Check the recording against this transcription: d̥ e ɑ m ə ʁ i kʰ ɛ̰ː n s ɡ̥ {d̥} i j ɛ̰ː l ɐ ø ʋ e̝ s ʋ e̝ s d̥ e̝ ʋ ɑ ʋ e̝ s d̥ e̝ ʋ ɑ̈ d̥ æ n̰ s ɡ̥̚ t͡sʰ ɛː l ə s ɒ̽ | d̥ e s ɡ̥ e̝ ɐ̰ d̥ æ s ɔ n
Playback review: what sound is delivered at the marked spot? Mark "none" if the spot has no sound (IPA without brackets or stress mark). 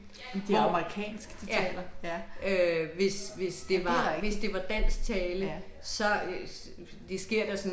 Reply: d̥